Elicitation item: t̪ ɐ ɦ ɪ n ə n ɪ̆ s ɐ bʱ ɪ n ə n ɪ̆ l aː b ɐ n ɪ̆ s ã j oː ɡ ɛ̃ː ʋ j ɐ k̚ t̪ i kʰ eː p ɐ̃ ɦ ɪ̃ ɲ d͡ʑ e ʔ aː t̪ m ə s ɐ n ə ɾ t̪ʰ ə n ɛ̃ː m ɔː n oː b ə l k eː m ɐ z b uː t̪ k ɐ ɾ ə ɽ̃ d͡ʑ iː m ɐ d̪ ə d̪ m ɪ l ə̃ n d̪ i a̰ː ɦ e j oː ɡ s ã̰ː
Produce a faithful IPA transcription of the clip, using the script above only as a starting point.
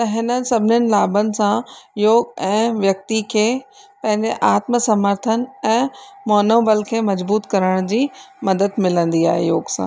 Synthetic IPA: t̪ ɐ ɦ ɪ n ə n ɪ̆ s ɐ bʱ ɪ n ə n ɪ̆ l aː b ə n ɪ̆ s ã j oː ɡ ɛ̃ː ʋ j ɐ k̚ t̪ i kʰ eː p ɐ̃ ɦ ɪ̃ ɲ d͡ʑ e ʔ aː t̪ m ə s ɐ m ə ɾ t̪ʰ ə n ɛ̃ː m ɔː n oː b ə l kʰ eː m ɐ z b uː t̪ k ɐ ɾ ə ɽ̃ d͡ʑ iː m ɐ d̪ ə d̪ m ɪ l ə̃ n d̪ i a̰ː ɦ e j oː ɡ s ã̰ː